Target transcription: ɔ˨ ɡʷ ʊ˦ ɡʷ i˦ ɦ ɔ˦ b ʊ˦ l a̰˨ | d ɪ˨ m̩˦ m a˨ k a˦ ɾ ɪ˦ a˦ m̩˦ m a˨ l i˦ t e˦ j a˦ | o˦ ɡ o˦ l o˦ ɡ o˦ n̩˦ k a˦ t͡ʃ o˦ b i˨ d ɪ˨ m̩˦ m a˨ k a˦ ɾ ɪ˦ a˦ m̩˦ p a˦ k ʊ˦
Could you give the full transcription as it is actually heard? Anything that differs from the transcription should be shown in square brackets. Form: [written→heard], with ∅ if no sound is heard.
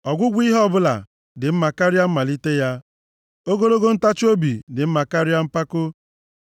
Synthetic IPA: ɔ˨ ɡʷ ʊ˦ ɡʷ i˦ ɦ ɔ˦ b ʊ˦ l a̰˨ | d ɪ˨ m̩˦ m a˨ k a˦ ɾ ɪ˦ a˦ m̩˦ m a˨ l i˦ t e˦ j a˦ | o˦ ɡ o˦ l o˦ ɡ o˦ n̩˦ [k→t] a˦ t͡ʃ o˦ b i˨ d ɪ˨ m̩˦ m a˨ k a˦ ɾ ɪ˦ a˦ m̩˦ p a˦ k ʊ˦